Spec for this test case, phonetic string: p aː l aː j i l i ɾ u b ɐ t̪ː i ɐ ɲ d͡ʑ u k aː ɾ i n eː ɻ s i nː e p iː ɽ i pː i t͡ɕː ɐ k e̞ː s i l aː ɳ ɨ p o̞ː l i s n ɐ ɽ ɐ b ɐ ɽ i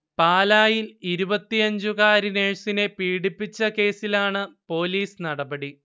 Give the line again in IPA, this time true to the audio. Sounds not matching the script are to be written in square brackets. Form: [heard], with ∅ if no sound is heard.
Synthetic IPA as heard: p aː l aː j i l i ɾ u b ɐ t̪ː i ɐ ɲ d͡ʑ u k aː ɾ i n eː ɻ s i [n] e p iː ɽ i pː i t͡ɕː ɐ k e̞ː s i l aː ɳ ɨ p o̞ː l [iː] s n ɐ ɽ ɐ b ɐ ɽ i